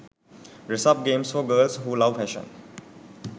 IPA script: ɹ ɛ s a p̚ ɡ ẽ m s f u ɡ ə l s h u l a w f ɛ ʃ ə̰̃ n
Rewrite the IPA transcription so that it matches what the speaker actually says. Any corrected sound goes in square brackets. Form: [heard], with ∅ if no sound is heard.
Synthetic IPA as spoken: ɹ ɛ s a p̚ ɡ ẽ m s f [ɔ] ɡ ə l s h u l a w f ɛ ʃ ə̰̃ n